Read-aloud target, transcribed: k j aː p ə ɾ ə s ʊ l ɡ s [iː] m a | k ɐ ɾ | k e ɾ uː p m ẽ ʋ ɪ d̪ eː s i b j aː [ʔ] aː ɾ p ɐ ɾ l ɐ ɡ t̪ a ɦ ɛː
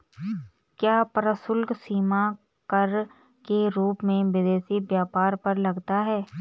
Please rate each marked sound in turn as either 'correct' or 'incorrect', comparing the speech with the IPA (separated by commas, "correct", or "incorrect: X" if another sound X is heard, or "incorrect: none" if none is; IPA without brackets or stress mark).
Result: correct, incorrect: p